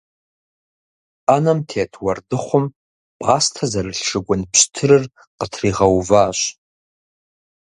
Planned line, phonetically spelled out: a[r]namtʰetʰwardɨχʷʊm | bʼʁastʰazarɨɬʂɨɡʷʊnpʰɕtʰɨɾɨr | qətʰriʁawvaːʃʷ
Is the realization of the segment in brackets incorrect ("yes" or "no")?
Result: yes